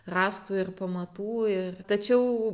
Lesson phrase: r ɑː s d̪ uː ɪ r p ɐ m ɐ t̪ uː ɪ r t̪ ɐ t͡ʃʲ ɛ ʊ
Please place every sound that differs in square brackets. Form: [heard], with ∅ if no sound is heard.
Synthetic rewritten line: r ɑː s [t̪] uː ɪ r p ɐ m ɐ t̪ uː ɪ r t̪ ɐ t͡ʃʲ ɛ ʊ

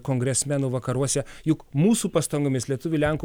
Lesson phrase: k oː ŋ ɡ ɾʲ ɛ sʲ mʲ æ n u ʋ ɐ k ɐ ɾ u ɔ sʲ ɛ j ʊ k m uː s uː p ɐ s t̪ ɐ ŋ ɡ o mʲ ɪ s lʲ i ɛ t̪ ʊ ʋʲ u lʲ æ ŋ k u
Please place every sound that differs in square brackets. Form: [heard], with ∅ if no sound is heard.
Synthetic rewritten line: k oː ŋ ɡ ɾʲ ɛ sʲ mʲ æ n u ʋ ɐ k ɐ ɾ u ɔ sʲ ɛ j ʊ k m uː s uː p ɐ s t̪ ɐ ŋ ɡ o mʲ ɪ s lʲ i ɛ t̪ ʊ ʋʲ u lʲ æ ŋ k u

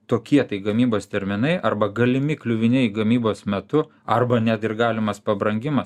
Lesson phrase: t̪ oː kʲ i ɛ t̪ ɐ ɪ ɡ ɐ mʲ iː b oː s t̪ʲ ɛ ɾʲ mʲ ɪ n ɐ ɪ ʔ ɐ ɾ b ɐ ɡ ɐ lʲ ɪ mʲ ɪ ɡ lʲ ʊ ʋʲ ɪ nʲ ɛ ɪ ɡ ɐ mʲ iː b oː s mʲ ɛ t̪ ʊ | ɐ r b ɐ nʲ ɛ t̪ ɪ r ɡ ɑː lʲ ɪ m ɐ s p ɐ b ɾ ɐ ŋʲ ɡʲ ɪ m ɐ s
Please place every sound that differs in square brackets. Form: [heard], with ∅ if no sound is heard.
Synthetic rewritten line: t̪ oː kʲ i ɛ t̪ ɐ ɪ ɡ ɐ mʲ iː b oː s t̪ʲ ɛ ɾʲ mʲ ɪ n ɐ ɪ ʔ ɐ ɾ b ɐ ɡ ɐ lʲ ɪ mʲ ɪ [k] lʲ ʊ ʋʲ ɪ nʲ ɛ ɪ ɡ ɐ mʲ iː b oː s mʲ ɛ t̪ ʊ | ɐ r b ɐ nʲ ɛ t̪ ɪ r ɡ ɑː lʲ ɪ m ɐ s p ɐ b ɾ ɐ ŋʲ ɡʲ ɪ m ɐ s

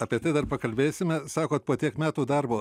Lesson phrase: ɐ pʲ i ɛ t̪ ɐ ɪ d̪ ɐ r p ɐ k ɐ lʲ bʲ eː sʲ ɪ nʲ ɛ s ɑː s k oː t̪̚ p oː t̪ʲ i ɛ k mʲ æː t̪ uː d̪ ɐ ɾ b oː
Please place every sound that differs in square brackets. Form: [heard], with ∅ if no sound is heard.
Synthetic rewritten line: ɐ pʲ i ɛ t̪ ɐ ɪ d̪ ɐ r p ɐ k ɐ lʲ bʲ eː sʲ ɪ [mʲ] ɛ s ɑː [∅] k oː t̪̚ p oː t̪ʲ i ɛ k mʲ æː t̪ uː d̪ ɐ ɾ b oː

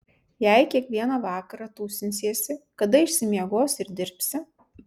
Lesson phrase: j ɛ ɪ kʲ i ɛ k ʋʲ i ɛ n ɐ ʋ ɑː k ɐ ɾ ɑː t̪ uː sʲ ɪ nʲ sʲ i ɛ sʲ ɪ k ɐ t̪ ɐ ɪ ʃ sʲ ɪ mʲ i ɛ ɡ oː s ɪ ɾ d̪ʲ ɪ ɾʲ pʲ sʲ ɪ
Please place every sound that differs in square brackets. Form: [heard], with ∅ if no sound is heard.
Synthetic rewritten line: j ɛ ɪ kʲ i ɛ k ʋʲ i ɛ n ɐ ʋ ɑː k ɐ ɾ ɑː t̪ uː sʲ ɪ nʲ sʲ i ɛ sʲ ɪ k ɐ [d̪] ɐ ɪ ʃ sʲ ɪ mʲ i ɛ ɡ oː s ɪ ɾ d̪ʲ ɪ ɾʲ pʲ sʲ ɪ

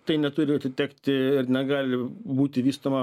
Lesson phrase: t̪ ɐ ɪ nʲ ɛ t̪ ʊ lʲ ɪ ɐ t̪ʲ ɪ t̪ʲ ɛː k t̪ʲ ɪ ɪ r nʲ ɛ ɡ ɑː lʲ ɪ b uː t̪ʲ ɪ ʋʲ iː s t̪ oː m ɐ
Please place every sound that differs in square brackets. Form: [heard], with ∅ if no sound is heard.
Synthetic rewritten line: t̪ ɐ ɪ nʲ ɛ t̪ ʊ [ɾʲ] ɪ ɐ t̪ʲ ɪ t̪ʲ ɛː k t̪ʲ ɪ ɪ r nʲ ɛ ɡ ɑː lʲ ɪ b uː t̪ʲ ɪ ʋʲ iː s t̪ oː m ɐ

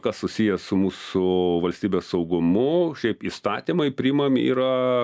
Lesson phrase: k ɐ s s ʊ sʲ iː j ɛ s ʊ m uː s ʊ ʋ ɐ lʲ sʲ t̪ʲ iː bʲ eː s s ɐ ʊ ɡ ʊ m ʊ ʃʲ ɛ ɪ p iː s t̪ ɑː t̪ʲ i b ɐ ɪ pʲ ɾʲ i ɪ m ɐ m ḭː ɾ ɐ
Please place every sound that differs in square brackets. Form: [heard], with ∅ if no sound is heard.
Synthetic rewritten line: k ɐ s s ʊ sʲ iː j ɛ s ʊ m uː s ʊ ʋ ɐ lʲ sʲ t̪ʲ iː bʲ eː s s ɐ ʊ ɡ ʊ m ʊ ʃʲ ɛ ɪ p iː s t̪ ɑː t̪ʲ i [m] ɐ ɪ pʲ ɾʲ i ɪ m ɐ m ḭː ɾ ɐ

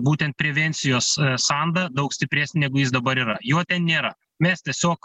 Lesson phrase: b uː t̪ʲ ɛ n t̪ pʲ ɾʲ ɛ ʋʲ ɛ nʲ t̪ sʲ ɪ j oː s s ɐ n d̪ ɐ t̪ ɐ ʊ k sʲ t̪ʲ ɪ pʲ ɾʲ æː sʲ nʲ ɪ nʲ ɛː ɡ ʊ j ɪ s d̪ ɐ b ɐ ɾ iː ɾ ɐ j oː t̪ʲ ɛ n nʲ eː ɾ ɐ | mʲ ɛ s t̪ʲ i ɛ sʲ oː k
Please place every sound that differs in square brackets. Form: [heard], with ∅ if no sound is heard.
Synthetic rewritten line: b uː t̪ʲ ɛ n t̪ pʲ ɾʲ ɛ ʋʲ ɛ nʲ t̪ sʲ ɪ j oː s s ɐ n d̪ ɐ [d̪] ɐ ʊ k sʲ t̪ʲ ɪ pʲ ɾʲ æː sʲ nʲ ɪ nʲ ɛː ɡ ʊ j ɪ s d̪ ɐ b ɐ ɾ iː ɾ ɐ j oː t̪ʲ ɛ n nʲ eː ɾ ɐ | mʲ ɛ s t̪ʲ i ɛ sʲ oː k

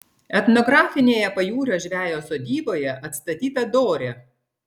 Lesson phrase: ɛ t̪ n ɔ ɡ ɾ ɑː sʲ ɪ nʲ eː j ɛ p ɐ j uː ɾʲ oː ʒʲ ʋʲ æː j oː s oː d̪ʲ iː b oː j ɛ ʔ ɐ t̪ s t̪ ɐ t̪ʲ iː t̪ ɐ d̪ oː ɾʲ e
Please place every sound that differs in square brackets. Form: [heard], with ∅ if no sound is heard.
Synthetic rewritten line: ɛ t̪ n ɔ ɡ ɾ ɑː [fʲ] ɪ nʲ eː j ɛ p ɐ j uː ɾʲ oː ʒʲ ʋʲ æː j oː s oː d̪ʲ iː b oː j ɛ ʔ ɐ t̪ s t̪ ɐ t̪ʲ iː t̪ ɐ d̪ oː ɾʲ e

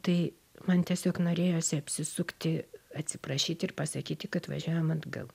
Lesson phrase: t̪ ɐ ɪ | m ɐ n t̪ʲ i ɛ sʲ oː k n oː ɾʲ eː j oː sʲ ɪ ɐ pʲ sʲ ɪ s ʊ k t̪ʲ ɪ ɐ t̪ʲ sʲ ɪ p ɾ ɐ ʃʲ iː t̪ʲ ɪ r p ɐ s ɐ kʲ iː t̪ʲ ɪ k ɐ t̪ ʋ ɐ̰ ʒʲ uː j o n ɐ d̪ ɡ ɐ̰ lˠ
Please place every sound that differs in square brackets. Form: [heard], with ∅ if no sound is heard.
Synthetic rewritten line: t̪ ɐ ɪ | m ɐ n t̪ʲ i ɛ sʲ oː k n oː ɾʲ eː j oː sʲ ɪ ɐ pʲ sʲ ɪ s ʊ k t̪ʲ ɪ ɐ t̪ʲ sʲ ɪ p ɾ ɐ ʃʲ iː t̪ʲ ɪ r p ɐ s ɐ kʲ iː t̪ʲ ɪ k ɐ t̪ ʋ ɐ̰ ʒʲ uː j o [m] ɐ d̪ ɡ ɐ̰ lˠ

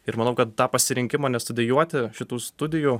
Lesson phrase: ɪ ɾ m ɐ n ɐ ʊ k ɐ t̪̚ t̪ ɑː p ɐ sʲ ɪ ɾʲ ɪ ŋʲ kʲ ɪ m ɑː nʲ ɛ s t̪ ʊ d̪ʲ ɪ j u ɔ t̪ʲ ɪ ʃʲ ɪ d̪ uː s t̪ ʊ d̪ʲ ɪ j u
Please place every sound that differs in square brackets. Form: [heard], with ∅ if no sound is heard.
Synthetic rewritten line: ɪ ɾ m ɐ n ɐ ʊ k ɐ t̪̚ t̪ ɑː p ɐ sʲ ɪ ɾʲ ɪ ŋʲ kʲ ɪ m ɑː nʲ ɛ s t̪ ʊ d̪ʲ ɪ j u ɔ t̪ʲ ɪ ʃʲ ɪ [t̪] uː s t̪ ʊ d̪ʲ ɪ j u

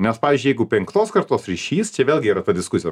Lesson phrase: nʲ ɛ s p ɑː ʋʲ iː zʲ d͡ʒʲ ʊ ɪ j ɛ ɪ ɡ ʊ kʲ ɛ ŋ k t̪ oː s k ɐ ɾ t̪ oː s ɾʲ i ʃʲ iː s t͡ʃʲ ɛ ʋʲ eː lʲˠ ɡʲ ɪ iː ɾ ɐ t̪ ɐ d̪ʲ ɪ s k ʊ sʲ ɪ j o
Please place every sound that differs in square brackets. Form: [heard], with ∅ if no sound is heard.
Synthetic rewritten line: nʲ ɛ s p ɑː ʋʲ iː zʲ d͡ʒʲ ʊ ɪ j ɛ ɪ ɡ ʊ [pʲ] ɛ ŋ k t̪ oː s k ɐ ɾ t̪ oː s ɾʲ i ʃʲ iː s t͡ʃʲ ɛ ʋʲ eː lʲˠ ɡʲ ɪ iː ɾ ɐ t̪ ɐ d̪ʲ ɪ s k ʊ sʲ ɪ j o

